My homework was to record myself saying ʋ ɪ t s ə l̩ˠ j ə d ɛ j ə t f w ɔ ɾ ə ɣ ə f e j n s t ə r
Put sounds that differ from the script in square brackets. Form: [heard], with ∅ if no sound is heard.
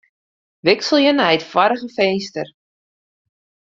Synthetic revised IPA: ʋ ɪ [k] s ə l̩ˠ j ə [n] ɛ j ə t f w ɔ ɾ ə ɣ ə f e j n s t ə r